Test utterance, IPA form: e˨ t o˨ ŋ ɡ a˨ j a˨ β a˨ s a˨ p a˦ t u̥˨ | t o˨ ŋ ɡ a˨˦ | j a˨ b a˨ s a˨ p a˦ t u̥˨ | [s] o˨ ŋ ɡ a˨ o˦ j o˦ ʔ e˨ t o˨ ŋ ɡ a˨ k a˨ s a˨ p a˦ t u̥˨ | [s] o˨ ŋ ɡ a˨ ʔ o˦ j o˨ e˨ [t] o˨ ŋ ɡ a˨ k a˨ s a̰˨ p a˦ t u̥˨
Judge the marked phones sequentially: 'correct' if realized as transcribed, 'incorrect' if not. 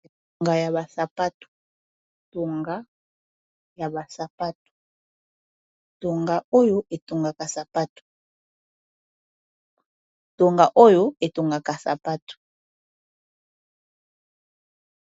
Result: incorrect, incorrect, correct

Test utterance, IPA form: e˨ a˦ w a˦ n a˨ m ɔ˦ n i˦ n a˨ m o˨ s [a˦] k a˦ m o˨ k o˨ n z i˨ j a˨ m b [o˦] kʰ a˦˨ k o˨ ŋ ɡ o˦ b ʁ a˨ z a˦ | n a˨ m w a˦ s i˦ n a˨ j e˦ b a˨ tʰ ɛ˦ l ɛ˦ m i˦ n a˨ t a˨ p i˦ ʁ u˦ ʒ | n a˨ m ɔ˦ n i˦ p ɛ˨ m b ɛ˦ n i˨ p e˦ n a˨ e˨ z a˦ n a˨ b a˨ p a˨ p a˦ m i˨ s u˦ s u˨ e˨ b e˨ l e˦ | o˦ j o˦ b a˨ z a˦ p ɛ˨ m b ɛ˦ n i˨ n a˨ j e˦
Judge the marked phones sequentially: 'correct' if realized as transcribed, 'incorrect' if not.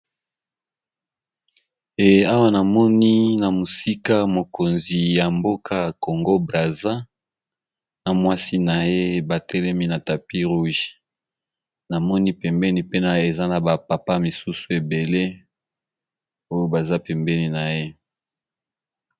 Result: incorrect, correct

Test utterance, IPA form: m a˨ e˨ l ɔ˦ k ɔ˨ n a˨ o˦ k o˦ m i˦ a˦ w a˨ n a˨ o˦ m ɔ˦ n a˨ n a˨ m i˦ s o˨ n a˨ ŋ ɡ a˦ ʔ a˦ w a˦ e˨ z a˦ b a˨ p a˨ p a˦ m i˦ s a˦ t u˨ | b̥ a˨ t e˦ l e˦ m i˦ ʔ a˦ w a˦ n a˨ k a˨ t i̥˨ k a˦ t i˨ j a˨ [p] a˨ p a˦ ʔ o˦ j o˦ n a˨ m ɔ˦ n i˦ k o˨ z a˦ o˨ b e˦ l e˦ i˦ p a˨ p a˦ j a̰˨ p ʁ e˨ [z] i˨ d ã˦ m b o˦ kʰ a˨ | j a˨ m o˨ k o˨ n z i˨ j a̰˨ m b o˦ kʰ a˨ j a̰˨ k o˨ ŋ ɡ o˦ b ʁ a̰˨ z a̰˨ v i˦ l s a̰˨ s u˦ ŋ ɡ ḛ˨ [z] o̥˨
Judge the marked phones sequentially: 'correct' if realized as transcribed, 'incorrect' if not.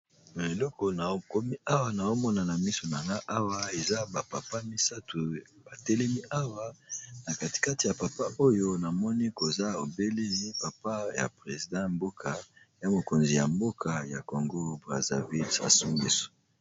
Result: correct, correct, incorrect

